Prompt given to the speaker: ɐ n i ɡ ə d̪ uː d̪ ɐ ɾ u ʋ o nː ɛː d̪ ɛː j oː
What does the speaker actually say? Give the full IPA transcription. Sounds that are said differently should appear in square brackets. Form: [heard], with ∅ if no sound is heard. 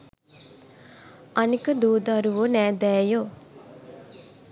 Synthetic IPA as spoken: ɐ n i [k] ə d̪ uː d̪ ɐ ɾ u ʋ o [n] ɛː d̪ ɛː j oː